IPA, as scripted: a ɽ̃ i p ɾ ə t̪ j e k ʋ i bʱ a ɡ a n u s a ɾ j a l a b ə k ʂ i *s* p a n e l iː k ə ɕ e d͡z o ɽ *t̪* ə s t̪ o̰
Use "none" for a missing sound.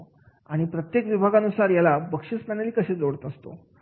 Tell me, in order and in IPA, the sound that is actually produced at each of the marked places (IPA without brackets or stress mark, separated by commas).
s, t̪